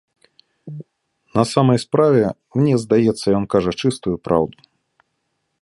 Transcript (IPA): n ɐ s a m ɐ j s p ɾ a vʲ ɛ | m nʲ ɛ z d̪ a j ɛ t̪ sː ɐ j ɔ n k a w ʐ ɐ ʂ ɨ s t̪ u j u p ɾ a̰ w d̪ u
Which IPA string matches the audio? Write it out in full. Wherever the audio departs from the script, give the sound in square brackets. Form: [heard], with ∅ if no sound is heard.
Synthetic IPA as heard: n ɐ s a m ɐ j s p ɾ a vʲ ɛ | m nʲ ɛ z d̪ a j ɛ t̪ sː ɐ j ɔ n k a [∅] ʐ ɐ [t͡ʂ] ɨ s t̪ u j u p ɾ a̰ w d̪ u